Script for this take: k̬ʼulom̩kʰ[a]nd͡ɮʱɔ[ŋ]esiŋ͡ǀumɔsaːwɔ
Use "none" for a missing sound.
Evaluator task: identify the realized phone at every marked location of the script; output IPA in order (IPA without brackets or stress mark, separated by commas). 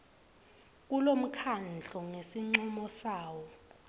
a, ŋ